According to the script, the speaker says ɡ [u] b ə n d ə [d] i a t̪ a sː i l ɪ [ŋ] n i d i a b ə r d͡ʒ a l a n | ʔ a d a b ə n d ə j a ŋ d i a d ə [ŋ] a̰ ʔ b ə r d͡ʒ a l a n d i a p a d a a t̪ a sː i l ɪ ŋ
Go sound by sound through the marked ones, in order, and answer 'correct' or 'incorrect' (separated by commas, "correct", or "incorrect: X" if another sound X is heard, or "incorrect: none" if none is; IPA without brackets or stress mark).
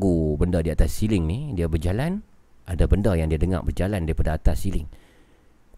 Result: correct, correct, correct, correct